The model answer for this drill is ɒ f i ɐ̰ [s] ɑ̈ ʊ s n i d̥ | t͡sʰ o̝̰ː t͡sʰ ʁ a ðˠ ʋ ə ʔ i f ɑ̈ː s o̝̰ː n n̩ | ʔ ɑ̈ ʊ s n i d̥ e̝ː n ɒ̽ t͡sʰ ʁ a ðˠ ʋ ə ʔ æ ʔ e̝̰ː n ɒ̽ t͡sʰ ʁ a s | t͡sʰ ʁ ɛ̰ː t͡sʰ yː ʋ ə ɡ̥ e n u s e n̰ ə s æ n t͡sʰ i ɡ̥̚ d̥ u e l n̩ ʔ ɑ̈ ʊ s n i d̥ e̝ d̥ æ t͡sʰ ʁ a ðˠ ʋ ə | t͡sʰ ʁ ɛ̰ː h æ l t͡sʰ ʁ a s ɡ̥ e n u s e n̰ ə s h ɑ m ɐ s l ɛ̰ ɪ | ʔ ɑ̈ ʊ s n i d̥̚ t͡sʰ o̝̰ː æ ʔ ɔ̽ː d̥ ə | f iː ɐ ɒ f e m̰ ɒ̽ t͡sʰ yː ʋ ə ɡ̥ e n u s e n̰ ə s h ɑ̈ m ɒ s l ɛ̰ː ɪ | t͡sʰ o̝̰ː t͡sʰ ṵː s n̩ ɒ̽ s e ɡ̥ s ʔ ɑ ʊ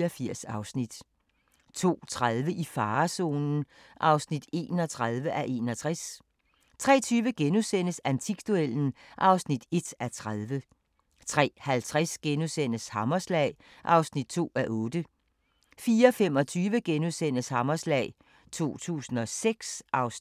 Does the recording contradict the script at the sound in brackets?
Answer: no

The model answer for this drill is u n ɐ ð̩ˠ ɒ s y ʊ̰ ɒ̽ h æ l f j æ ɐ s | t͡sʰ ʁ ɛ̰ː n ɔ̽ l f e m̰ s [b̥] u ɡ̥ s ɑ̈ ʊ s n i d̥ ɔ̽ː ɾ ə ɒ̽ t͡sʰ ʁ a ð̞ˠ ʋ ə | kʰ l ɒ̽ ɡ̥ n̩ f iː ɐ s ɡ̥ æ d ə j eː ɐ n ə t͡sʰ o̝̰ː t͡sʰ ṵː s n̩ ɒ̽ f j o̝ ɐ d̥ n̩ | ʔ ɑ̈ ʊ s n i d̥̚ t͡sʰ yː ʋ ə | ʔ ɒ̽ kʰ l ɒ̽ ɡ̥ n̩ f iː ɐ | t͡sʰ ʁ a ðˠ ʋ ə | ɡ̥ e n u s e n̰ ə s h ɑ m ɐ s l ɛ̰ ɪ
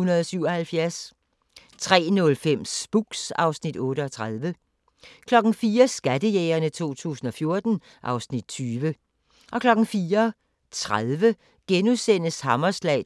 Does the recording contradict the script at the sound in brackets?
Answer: no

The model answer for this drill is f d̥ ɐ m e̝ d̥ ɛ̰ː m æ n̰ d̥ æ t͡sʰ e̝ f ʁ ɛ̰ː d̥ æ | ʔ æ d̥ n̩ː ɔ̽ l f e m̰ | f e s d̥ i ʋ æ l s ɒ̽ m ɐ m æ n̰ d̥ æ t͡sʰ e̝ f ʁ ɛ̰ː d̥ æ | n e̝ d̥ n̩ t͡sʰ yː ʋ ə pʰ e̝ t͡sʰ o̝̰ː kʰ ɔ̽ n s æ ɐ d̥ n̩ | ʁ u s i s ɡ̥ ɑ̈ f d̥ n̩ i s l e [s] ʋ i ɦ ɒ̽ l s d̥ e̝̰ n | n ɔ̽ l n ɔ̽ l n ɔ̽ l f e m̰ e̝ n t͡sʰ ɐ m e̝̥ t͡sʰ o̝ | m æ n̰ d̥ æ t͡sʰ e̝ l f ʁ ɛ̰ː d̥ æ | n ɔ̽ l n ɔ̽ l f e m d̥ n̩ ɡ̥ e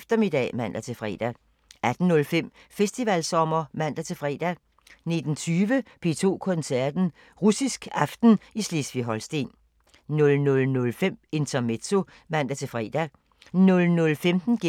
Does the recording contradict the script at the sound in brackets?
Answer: no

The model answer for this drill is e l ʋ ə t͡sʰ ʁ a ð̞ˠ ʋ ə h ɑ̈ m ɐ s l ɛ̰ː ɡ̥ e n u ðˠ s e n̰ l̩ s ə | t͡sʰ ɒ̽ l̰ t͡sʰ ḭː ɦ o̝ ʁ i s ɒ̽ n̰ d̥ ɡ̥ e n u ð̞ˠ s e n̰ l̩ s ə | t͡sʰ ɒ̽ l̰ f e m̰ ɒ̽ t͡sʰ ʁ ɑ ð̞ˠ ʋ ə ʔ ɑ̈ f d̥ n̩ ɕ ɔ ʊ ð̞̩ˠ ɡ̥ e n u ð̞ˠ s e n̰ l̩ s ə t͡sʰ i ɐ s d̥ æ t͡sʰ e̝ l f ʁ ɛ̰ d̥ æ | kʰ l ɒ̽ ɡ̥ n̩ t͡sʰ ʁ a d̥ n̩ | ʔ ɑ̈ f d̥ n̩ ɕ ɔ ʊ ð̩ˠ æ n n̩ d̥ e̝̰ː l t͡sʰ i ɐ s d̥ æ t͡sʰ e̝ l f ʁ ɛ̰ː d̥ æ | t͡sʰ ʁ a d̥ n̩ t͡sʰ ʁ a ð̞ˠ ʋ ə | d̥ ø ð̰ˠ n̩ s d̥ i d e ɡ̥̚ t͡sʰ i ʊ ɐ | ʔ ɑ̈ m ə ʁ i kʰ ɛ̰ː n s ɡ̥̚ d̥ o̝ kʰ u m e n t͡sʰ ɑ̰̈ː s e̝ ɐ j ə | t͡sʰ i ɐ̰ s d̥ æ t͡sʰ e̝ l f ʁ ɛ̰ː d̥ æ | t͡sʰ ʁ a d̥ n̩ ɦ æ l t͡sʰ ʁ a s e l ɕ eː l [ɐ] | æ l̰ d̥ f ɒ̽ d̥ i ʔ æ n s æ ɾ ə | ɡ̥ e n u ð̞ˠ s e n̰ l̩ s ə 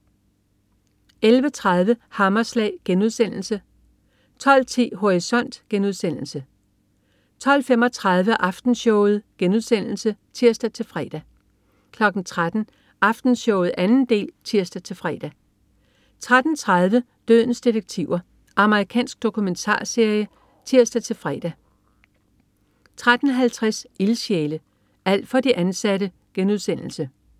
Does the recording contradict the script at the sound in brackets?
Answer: yes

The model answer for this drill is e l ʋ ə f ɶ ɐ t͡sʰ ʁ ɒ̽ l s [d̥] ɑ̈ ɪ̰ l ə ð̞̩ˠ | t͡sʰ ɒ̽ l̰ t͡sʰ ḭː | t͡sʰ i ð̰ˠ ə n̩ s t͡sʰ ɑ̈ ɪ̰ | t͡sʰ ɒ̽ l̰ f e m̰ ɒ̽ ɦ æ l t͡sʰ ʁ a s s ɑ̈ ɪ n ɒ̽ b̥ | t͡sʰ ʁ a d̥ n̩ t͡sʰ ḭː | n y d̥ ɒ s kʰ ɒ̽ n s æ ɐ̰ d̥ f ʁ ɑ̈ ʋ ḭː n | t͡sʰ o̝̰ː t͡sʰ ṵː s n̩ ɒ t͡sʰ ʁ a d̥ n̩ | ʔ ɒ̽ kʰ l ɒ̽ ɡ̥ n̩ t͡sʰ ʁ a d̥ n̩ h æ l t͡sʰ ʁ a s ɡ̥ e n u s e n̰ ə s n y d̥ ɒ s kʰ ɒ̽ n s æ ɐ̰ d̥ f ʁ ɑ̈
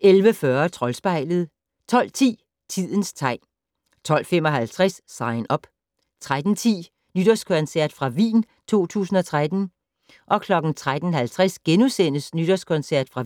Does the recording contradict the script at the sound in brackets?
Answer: yes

